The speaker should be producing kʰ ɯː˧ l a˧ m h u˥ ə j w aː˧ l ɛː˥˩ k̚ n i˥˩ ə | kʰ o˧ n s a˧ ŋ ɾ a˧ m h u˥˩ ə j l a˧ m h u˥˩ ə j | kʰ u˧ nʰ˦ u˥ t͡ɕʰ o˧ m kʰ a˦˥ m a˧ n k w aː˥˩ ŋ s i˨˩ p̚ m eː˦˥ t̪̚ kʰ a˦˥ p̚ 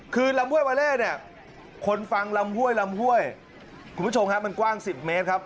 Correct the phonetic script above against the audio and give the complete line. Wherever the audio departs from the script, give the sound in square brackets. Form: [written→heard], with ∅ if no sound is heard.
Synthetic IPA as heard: kʰ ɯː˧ l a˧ m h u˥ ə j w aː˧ l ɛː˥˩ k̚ n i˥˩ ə | kʰ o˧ n [s→f] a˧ ŋ [ɾ→l] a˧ m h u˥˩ ə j l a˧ m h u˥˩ ə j | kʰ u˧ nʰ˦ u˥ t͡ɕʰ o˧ m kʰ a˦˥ m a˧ n k w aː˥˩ ŋ s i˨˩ p̚ m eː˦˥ t̪̚ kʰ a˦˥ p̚